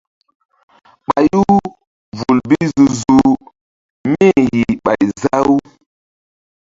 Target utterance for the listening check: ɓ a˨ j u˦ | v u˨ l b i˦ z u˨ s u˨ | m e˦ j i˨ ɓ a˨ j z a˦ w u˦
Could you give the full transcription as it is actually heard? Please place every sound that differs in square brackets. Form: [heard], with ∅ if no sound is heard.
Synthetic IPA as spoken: ɓ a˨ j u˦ | v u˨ l b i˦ z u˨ [z] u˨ | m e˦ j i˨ ɓ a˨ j z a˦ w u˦